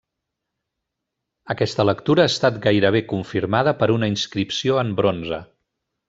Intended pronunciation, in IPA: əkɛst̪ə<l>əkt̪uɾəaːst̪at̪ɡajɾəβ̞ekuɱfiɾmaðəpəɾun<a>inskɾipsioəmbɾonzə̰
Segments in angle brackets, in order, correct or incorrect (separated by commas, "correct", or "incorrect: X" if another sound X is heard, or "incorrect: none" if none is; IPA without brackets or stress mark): correct, incorrect: ə